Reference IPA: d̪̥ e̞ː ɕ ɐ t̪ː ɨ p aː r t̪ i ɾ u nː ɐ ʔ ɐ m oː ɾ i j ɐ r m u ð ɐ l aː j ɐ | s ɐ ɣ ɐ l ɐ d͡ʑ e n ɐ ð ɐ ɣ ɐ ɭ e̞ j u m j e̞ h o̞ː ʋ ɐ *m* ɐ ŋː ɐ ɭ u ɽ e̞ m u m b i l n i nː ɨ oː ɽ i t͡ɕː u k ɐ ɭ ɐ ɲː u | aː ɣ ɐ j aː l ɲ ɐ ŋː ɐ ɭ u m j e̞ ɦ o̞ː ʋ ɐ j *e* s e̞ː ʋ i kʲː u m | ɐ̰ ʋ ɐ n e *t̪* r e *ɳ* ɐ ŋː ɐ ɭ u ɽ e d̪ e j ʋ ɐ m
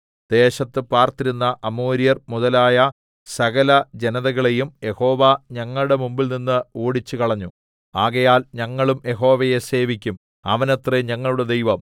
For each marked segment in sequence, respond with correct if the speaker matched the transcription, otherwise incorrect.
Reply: incorrect, correct, correct, incorrect

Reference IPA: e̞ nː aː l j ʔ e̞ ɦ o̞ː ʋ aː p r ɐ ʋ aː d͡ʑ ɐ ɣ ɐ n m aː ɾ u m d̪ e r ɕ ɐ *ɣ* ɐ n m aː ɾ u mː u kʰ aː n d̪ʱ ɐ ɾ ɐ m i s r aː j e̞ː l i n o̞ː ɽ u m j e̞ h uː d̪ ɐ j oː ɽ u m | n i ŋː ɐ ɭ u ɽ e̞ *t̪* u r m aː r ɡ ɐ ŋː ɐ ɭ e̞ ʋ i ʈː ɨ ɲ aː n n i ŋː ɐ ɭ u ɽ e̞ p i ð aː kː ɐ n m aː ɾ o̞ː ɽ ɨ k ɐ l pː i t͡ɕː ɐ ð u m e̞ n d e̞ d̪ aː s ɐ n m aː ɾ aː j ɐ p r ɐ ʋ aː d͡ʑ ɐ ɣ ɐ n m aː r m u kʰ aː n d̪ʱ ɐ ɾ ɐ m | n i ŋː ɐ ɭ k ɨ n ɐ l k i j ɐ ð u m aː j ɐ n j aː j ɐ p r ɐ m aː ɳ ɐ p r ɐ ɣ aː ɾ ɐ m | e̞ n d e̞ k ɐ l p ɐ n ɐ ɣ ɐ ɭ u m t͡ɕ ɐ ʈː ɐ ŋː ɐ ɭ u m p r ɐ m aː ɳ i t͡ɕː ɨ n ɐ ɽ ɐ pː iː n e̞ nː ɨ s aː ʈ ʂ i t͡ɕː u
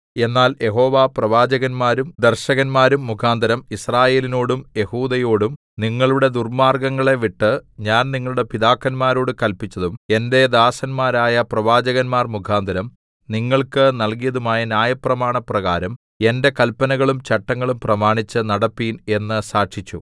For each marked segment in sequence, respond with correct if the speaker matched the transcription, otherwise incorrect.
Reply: correct, incorrect

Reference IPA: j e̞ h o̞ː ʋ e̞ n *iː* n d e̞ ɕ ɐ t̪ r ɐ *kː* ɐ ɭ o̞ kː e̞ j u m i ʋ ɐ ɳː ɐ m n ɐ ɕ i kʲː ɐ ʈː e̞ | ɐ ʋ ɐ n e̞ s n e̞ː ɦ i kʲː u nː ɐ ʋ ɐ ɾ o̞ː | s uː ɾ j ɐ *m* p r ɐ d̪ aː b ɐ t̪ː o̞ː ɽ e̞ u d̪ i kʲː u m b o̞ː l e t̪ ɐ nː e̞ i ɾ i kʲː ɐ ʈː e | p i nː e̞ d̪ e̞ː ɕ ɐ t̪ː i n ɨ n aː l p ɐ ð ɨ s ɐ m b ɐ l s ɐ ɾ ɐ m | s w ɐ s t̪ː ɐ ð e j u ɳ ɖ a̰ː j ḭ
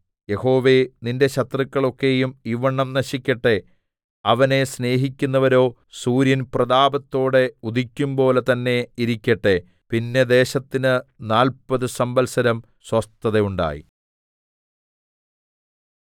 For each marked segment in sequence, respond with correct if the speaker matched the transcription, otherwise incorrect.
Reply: incorrect, correct, incorrect

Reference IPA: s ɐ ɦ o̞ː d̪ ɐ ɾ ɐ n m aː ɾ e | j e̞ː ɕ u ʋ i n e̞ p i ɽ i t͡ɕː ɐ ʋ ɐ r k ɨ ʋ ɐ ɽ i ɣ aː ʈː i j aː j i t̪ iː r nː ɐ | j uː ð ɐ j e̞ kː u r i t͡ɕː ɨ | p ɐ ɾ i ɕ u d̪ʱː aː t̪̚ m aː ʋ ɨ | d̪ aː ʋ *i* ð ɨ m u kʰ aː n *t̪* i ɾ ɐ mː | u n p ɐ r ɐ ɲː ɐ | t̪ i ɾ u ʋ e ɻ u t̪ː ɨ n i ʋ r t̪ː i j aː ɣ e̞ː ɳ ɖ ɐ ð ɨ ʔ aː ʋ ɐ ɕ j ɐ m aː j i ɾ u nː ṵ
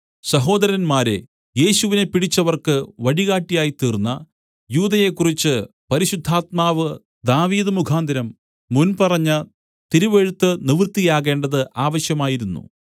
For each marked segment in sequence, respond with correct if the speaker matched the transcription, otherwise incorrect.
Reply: incorrect, incorrect

